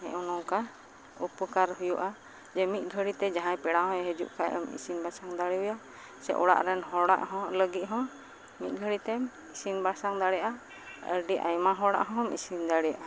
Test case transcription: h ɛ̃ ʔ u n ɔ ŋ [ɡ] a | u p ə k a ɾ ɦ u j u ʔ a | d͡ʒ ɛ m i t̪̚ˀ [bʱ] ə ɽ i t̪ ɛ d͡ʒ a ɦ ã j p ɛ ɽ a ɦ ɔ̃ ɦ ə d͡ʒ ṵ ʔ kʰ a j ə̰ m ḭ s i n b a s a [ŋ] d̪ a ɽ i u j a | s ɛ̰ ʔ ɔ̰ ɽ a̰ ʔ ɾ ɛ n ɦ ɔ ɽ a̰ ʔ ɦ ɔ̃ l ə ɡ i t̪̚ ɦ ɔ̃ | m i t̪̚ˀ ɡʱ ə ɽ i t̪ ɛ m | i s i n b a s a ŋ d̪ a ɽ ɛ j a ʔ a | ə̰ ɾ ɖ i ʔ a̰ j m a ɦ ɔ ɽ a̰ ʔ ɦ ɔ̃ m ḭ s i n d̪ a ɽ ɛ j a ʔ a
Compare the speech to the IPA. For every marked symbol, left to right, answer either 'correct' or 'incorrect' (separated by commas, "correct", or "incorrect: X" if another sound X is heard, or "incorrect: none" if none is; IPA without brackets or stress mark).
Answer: incorrect: k, incorrect: ɡʱ, correct